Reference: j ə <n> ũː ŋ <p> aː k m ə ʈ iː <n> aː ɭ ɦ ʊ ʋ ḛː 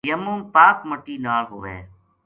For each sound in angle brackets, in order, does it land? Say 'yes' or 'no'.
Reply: no, yes, yes

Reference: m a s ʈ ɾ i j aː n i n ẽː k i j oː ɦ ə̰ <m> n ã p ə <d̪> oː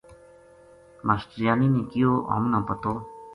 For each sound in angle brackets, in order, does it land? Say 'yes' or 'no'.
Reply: yes, no

